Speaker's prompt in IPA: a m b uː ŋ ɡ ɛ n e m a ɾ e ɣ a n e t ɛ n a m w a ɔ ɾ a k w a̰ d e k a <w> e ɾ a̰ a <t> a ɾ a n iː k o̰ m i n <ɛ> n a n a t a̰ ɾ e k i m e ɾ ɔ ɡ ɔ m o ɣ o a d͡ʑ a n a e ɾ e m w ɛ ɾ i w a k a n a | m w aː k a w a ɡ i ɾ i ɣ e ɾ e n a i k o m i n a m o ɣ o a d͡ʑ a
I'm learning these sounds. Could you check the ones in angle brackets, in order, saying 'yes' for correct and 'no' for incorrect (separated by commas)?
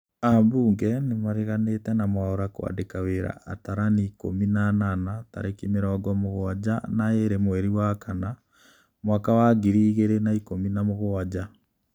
yes, yes, no